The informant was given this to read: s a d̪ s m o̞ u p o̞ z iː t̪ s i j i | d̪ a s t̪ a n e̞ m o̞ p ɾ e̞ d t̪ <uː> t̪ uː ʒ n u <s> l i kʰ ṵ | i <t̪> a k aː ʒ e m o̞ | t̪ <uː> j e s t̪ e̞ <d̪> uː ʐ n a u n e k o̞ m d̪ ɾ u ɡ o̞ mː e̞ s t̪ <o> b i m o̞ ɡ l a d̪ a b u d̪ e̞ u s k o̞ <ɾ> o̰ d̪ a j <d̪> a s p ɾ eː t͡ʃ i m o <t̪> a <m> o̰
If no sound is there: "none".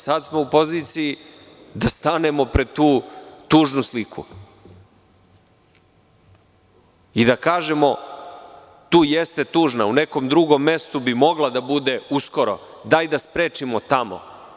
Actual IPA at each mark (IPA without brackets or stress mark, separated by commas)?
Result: uː, s, d̪, uː, t̪, u, ɾ, d̪, t̪, m